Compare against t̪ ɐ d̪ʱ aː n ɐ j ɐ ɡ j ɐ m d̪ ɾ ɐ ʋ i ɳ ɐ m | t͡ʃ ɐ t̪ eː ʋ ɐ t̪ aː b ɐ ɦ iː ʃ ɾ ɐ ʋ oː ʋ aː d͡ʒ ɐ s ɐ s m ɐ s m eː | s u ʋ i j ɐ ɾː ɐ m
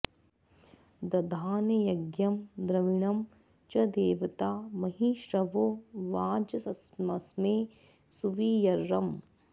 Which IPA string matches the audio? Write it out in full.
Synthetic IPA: d̪ ɐ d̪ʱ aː n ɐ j ɐ ɡ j ɐ m d̪ ɾ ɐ ʋ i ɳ ɐ m | t͡ʃ ɐ d̪ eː ʋ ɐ t̪ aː m ɐ ɦ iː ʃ ɾ ɐ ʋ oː ʋ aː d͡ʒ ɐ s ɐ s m ɐ s m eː | s u ʋ i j ɐ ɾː ɐ m